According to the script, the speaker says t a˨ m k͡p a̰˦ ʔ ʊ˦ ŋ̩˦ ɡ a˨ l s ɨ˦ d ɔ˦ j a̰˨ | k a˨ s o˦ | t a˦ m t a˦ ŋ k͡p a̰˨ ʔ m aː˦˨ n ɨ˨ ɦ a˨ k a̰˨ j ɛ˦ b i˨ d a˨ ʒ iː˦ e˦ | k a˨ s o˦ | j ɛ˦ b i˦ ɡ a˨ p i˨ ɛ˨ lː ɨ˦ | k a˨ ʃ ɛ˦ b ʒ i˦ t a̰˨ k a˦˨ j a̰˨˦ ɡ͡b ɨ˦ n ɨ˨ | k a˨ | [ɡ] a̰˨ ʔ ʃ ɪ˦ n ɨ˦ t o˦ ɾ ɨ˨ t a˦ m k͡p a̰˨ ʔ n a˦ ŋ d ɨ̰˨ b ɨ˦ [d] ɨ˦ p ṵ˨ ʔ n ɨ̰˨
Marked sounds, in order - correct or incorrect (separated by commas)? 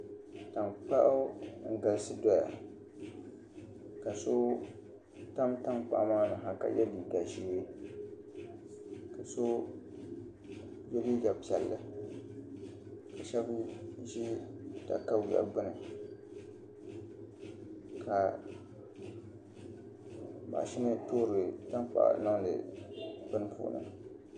incorrect, incorrect